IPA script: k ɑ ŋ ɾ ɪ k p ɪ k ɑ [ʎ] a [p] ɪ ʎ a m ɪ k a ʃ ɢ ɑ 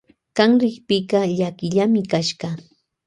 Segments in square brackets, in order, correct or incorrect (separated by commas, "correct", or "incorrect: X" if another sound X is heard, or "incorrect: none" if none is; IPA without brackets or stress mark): correct, incorrect: k